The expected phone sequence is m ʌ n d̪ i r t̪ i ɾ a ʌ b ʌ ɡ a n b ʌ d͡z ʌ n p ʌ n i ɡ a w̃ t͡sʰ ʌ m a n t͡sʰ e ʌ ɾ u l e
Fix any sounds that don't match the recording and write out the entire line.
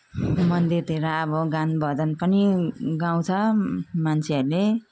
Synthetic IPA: m ʌ n d̪ i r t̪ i ɾ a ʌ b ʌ ɡ a n b ʌ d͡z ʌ n p ʌ n i ɡ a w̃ t͡sʰ ʌ m a n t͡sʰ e ʌ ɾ u l e